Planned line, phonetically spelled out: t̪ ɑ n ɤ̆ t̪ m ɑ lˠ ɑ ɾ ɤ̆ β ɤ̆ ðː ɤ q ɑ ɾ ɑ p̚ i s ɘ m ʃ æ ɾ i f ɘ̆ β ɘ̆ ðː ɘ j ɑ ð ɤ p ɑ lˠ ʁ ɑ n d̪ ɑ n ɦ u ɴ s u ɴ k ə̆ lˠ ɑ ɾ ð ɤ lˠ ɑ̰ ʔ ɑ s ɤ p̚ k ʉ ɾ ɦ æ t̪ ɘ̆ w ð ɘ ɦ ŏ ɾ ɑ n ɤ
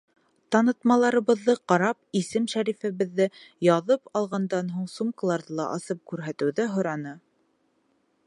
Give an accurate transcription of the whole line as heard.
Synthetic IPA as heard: t̪ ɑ n ɤ̆ t̪ m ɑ lˠ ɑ ɾ ɤ̆ β ɤ̆ ðː ɤ q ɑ ɾ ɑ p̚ i s ɘ m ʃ æ ɾ i f ɘ̆ β ɘ̆ ðː ɘ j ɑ ð ɤ p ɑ lˠ ʁ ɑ n d̪ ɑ n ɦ u ɴ s u m k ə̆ lˠ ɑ ɾ ð ɤ lˠ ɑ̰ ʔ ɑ s ɤ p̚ k ʉ ɾ ɦ æ t̪ ɘ̆ w ð ɘ ɦ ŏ ɾ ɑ n ɤ